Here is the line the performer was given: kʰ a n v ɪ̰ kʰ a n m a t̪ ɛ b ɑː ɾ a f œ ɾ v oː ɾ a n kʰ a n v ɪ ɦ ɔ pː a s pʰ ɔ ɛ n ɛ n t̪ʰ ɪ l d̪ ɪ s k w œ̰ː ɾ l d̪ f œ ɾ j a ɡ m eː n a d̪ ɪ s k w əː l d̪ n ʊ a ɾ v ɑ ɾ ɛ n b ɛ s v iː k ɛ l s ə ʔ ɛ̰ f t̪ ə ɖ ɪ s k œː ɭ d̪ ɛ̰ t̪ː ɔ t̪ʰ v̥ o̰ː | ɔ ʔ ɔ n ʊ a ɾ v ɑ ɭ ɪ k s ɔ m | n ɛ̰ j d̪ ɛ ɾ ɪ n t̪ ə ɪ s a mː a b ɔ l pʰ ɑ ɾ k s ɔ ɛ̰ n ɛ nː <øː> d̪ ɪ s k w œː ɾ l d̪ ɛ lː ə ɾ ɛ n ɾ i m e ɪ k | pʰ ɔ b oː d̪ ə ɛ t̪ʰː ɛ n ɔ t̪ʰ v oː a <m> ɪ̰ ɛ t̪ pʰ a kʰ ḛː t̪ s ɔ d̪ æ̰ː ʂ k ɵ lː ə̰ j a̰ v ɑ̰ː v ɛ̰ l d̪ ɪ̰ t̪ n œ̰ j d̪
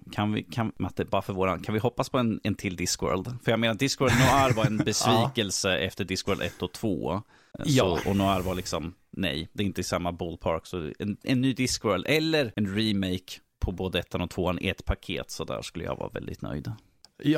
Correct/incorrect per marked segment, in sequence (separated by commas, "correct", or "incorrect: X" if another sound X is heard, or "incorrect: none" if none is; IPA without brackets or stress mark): incorrect: yː, incorrect: n